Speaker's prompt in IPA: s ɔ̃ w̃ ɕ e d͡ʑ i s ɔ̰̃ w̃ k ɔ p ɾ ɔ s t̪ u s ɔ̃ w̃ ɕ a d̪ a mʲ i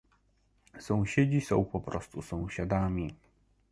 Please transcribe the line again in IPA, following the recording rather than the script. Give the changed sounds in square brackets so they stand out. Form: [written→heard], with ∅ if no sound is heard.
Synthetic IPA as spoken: s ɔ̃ w̃ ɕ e d͡ʑ i s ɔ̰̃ w̃ [k→p] ɔ p ɾ ɔ s t̪ u s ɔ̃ w̃ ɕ a d̪ a mʲ i